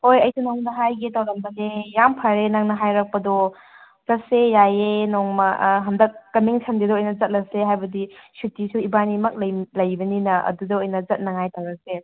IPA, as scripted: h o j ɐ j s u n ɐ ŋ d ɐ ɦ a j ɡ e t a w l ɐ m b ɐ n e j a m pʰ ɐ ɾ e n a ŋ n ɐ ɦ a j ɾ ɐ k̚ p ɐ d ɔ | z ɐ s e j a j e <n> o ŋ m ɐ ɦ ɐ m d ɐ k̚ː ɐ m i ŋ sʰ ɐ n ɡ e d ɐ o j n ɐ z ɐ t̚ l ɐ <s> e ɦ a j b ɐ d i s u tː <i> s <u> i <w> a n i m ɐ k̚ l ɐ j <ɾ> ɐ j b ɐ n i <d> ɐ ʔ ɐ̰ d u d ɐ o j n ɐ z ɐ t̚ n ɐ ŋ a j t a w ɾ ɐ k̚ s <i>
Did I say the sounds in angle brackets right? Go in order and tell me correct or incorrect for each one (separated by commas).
correct, correct, correct, correct, incorrect, incorrect, incorrect, incorrect